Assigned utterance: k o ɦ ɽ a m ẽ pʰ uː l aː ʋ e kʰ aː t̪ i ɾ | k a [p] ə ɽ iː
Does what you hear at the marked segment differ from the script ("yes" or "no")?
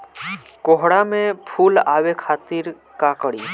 yes